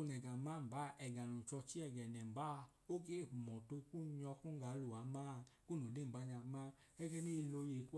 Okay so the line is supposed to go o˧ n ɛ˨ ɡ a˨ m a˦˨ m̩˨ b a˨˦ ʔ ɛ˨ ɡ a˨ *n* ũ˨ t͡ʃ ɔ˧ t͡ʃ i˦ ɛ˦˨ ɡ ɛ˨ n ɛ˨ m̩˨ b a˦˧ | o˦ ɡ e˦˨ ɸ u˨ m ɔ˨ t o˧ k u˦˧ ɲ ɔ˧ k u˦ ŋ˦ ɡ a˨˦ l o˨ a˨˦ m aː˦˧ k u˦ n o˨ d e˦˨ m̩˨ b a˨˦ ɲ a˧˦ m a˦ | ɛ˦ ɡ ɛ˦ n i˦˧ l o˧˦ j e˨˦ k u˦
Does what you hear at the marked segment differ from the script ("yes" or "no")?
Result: no